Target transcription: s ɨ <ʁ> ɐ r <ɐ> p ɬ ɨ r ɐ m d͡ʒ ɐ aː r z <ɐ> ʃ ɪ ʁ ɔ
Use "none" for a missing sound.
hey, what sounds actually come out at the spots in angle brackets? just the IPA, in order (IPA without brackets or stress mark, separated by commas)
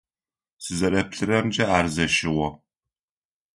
z, ɐ, ɐ